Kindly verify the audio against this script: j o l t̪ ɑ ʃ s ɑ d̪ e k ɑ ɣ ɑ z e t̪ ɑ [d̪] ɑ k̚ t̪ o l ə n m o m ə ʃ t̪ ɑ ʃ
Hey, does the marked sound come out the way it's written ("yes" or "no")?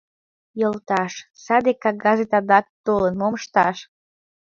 yes